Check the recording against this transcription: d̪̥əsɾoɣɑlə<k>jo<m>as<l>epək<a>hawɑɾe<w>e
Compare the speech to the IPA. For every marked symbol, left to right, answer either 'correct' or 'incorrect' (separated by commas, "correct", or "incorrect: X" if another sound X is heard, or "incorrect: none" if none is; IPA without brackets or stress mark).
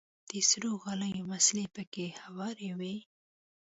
incorrect: none, correct, correct, incorrect: e, correct